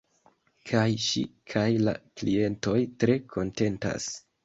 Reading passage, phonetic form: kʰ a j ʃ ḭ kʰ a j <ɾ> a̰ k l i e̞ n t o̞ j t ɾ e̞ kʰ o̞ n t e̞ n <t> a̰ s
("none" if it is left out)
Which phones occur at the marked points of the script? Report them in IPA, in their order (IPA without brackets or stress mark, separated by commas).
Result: l, t